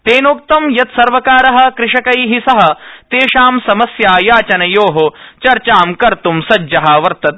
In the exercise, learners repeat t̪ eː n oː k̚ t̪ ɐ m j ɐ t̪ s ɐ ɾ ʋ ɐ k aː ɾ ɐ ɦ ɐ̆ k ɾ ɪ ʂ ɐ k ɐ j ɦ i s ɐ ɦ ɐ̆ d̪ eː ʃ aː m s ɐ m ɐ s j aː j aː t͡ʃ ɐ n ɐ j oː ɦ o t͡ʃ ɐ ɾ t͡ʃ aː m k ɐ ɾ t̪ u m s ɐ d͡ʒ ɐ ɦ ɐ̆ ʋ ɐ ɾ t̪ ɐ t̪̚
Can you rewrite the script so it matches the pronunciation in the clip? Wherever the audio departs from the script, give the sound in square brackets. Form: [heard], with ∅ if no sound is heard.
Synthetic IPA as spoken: t̪ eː n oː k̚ t̪ ɐ m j ɐ t̪ s ɐ ɾ ʋ ɐ k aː ɾ ɐ ɦ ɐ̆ k ɾ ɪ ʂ ɐ k ɐ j ɦ i s ɐ ɦ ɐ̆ [t̪] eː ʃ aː m s ɐ m ɐ s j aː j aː t͡ʃ ɐ n ɐ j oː ɦ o t͡ʃ ɐ ɾ t͡ʃ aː m k ɐ ɾ t̪ u m s ɐ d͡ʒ ɐ ɦ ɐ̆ ʋ ɐ ɾ t̪ ɐ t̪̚